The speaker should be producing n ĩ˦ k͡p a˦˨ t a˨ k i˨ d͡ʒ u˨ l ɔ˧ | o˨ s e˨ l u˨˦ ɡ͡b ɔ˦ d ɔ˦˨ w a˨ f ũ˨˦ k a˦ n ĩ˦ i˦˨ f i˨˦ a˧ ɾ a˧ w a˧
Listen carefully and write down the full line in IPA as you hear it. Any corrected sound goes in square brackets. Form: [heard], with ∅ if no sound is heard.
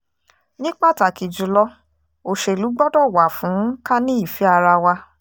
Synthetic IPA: n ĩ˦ k͡p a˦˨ t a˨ k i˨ d͡ʒ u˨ l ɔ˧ | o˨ [ʃ] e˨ l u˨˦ ɡ͡b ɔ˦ d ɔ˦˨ w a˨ f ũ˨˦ k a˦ n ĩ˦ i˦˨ f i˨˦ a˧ ɾ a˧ w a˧